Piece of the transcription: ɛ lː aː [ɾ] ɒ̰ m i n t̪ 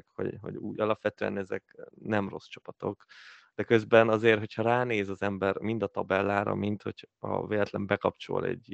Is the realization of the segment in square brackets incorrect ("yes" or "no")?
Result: no